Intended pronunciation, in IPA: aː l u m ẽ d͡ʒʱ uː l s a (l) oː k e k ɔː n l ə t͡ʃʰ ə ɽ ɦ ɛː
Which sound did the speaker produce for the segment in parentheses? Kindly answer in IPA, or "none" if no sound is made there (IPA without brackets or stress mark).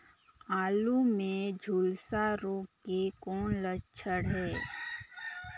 ɾ